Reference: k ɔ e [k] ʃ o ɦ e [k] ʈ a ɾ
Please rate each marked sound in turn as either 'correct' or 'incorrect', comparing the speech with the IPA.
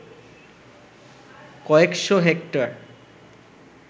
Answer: correct, correct

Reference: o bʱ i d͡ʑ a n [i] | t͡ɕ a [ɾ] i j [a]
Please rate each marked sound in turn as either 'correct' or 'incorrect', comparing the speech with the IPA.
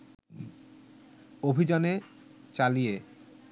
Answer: incorrect: e, incorrect: l, incorrect: e

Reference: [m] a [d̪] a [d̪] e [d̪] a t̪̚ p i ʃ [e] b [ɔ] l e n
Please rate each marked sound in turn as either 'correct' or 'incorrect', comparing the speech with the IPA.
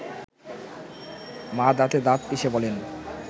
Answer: correct, correct, incorrect: t̪, correct, correct, correct

